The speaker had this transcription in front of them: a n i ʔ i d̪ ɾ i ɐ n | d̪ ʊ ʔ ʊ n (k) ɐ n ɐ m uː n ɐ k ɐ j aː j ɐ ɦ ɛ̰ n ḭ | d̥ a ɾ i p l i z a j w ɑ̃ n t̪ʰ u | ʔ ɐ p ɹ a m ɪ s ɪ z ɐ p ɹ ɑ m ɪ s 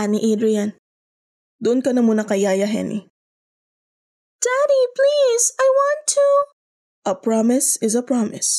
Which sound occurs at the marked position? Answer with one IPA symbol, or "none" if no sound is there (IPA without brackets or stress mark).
k